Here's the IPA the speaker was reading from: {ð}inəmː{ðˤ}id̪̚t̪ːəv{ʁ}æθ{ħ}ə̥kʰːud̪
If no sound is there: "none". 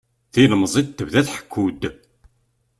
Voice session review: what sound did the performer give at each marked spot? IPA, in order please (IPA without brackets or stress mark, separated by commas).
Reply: θ, zˤ, ð, ħ